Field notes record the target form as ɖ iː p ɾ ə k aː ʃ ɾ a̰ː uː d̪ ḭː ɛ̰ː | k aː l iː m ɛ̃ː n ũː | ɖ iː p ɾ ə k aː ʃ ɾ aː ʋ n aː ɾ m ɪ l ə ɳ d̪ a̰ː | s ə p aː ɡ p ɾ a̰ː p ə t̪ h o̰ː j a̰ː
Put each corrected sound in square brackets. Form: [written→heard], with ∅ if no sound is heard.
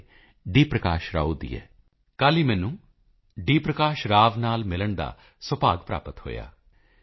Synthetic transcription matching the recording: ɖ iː p ɾ ə k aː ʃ ɾ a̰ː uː d̪ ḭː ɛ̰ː | k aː l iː m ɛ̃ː n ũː | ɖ iː p ɾ ə k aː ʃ ɾ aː ʋ n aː [ɾ→l] m ɪ l ə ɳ d̪ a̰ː | s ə p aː ɡ p ɾ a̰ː p ə t̪ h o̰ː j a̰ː